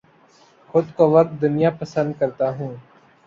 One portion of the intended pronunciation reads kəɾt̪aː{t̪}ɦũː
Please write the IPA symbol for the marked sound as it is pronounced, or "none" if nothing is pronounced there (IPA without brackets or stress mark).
none